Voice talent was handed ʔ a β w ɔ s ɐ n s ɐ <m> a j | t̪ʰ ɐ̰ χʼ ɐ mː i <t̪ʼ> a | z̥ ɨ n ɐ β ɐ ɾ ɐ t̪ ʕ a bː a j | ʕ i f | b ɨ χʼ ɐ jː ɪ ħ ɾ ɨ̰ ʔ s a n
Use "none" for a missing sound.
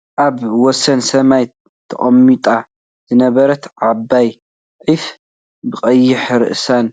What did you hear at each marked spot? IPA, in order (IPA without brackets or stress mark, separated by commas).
m, t̪ʼ